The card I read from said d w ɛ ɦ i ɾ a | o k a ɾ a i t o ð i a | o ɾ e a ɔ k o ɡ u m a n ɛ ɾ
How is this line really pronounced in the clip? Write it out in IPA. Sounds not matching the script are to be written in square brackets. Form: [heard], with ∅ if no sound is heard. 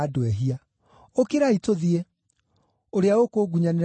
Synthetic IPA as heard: d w ɛ ɦ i [∅] a | o k [e] ɾ a i t o ð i [e] | o ɾ e a [o] k o ɡ u [ɲ] a n [e] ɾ